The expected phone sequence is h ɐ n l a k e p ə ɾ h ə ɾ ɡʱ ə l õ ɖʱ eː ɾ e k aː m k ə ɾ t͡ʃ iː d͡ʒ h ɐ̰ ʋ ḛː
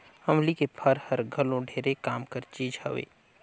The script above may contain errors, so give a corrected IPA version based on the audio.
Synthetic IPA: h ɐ m l i k e pʰ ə ɾ h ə ɾ ɡʱ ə l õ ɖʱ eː ɾ e k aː m k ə ɾ t͡ʃ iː d͡ʒ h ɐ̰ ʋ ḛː